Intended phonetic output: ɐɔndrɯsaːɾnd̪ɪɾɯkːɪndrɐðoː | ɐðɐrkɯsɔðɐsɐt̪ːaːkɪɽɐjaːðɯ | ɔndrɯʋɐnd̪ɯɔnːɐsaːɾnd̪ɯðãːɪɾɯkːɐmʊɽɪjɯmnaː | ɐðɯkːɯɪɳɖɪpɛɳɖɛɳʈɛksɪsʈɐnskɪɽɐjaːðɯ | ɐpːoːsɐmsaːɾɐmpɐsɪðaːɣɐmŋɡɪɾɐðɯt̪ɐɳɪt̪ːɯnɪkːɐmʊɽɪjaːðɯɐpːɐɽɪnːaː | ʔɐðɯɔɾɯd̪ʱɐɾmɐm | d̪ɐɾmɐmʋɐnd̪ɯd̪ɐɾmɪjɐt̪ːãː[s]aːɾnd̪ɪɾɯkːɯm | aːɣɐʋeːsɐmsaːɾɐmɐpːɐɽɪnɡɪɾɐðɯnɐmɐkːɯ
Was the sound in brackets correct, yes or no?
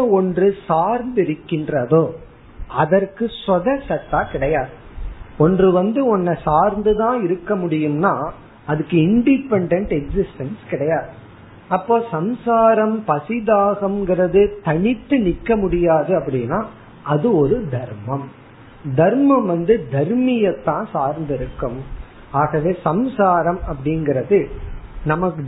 yes